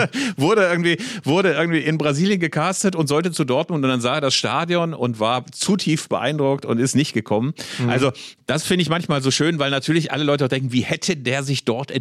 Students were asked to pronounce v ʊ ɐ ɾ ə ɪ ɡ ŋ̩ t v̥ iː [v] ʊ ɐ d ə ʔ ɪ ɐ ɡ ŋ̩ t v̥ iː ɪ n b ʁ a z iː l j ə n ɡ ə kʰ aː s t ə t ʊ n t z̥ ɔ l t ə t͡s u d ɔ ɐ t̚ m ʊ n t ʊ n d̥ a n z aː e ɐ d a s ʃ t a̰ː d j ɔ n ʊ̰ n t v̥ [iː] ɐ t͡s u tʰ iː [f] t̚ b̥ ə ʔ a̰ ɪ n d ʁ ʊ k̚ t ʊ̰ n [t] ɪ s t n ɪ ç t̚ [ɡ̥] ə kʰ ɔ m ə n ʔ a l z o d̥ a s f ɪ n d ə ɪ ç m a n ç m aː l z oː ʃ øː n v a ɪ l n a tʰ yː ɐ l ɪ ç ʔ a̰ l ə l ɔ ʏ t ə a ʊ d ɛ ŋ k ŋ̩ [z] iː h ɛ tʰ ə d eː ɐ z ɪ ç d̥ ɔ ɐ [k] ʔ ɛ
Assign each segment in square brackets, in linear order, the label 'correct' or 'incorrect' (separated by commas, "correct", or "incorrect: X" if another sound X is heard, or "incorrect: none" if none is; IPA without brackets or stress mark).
correct, incorrect: aː, correct, correct, correct, incorrect: v, incorrect: t